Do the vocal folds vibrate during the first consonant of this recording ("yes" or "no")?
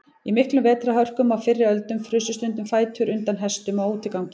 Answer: yes